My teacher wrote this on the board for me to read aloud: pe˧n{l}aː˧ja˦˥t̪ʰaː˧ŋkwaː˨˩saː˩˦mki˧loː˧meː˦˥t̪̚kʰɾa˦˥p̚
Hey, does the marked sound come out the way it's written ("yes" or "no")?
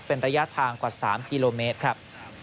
no